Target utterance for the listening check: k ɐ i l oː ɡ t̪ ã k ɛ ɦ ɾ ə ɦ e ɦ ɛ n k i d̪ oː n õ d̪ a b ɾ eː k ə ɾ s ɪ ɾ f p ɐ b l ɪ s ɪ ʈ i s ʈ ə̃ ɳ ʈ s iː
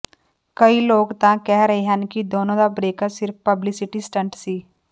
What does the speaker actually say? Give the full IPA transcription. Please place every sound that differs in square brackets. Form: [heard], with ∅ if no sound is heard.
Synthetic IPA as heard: k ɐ i l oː ɡ t̪ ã k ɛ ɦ ɾ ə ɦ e ɦ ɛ n k i d̪ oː n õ d̪ a b ɾ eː k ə ɾ s ɪ ɾ f p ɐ b l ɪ s ɪ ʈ i s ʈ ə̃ ɳ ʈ s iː